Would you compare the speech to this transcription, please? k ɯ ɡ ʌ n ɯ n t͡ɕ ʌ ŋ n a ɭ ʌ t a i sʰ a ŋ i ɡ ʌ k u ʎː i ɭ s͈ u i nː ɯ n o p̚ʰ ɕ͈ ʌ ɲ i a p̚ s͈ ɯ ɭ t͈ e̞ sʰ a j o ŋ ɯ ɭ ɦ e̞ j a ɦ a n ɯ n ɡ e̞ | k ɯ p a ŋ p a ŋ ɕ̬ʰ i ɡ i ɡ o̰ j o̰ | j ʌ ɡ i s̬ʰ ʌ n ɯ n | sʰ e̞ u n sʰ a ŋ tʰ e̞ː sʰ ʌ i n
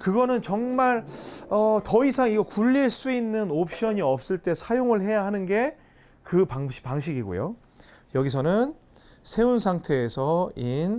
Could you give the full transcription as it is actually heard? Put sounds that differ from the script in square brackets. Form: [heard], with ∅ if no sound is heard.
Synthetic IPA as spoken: k ɯ ɡ ʌ n ɯ n t͡ɕ ʌ ŋ [m] a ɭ ʌ t [ʌ] i sʰ a ŋ i ɡ ʌ k u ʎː i ɭ s͈ u i nː ɯ n o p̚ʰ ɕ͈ ʌ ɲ i [ʌ] p̚ s͈ ɯ ɭ t͈ e̞ sʰ a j o ŋ ɯ ɭ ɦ e̞ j a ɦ a n ɯ n ɡ e̞ | k ɯ p a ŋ p a ŋ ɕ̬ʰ i ɡ i ɡ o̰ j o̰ | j ʌ ɡ i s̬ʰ ʌ n ɯ n | sʰ e̞ u n sʰ a ŋ tʰ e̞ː sʰ ʌ i n